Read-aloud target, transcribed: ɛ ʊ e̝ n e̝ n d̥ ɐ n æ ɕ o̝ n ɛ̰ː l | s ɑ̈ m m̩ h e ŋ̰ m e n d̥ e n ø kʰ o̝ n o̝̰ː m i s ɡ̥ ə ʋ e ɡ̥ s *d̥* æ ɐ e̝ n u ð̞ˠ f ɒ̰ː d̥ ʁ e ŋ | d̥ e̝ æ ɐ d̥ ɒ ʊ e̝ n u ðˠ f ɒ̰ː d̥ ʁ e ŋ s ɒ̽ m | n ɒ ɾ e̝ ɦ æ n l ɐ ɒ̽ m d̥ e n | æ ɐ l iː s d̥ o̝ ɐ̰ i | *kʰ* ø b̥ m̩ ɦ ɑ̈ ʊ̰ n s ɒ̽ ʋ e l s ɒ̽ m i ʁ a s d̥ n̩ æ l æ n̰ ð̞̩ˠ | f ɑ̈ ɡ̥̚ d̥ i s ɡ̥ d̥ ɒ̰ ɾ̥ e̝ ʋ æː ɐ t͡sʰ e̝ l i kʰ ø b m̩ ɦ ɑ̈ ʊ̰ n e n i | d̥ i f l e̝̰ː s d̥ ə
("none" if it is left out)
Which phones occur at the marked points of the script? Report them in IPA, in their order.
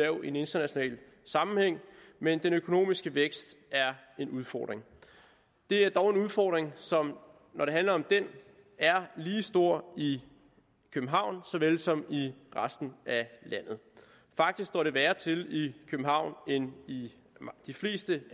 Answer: d̥, kʰ

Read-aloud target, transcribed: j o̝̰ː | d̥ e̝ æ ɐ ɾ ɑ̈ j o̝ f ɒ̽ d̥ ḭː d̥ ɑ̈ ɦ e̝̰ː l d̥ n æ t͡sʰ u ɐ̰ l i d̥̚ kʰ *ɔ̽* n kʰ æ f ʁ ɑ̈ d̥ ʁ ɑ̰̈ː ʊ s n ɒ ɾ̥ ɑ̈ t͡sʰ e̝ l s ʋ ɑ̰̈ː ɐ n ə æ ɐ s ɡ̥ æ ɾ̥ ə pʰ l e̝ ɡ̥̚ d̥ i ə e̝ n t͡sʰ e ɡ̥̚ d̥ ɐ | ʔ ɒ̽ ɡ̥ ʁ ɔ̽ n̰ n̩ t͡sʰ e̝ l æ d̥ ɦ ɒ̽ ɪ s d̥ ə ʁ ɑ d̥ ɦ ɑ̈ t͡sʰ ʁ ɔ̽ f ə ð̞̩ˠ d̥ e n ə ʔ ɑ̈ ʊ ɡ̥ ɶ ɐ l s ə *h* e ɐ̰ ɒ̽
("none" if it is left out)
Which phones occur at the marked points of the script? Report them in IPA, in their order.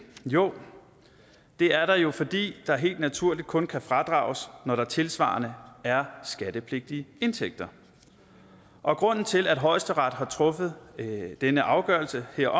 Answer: ɔ̽, h

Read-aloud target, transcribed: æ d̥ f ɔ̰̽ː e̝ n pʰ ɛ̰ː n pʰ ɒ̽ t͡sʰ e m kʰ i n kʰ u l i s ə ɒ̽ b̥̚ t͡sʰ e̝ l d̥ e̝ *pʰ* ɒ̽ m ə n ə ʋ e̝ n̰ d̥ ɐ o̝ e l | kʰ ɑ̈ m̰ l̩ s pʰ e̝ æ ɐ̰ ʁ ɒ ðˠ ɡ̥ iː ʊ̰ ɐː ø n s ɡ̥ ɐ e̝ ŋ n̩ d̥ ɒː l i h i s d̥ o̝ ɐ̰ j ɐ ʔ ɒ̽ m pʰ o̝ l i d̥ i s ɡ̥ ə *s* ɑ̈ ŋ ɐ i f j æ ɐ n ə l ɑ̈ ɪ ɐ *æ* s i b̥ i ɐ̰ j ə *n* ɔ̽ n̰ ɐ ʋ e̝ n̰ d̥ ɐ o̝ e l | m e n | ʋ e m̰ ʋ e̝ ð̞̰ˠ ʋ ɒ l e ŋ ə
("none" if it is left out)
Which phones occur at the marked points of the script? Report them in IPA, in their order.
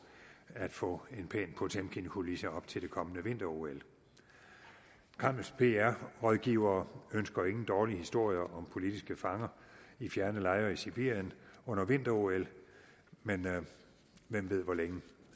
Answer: kʰ, f, i, n

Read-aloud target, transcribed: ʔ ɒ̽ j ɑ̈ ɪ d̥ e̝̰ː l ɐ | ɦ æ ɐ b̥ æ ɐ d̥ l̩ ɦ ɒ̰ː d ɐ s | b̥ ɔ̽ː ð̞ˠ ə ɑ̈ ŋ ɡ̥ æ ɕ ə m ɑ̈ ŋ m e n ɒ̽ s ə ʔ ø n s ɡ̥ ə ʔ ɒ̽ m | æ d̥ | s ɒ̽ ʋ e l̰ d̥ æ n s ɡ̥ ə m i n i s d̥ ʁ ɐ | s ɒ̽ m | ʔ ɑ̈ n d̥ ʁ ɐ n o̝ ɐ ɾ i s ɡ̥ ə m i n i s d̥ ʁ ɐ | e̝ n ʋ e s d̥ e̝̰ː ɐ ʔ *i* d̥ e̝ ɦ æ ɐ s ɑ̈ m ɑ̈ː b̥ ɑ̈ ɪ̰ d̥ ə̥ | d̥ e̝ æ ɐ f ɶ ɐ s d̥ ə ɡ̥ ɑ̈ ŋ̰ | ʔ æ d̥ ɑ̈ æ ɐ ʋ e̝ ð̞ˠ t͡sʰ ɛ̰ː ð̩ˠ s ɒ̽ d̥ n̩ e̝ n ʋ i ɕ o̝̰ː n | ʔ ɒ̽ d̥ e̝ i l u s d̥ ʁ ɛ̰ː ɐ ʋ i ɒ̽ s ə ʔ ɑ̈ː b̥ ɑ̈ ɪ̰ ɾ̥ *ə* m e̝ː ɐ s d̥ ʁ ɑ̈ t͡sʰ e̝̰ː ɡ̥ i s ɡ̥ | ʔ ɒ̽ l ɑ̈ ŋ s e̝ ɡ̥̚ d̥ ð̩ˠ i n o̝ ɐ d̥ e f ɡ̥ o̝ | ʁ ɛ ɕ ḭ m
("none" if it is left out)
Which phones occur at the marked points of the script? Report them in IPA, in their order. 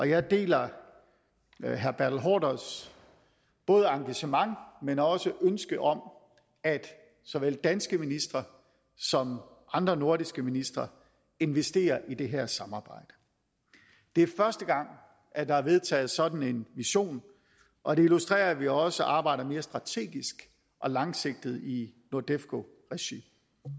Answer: i, ɐ

